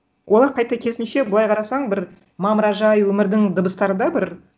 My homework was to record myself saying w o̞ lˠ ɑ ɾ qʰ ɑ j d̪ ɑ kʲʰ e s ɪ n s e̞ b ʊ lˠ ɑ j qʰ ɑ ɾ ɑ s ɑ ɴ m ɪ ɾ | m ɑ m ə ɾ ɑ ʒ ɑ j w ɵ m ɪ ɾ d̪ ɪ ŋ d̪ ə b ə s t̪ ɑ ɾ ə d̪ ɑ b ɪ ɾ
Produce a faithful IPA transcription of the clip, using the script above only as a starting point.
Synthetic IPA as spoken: w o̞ lˠ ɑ ɾ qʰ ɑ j t̪ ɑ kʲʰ e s ɪ n ʃ e̞ b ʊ lˠ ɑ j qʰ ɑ ɾ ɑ s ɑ ɴ b ɪ ɾ | m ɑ m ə ɾ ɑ ʒ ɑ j w ɵ m ɪ ɾ d̪ ɪ ŋ d̪ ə b ə s t̪ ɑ ɾ ə d̪ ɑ b ɪ ɾ